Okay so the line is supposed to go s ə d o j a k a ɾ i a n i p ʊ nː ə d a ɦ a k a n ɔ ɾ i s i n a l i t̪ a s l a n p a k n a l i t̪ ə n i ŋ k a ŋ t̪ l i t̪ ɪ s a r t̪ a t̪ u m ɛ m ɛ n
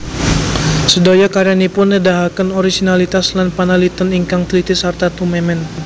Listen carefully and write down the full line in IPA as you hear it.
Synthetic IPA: s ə d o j a k a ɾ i a n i p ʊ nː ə d a ɦ a k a n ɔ ɾ i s i n a l i t̪ a s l a n p a n a l i t̪ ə n i ŋ k a ŋ t̪ l i t̪ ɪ s a r t̪ a t̪ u m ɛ m ɛ n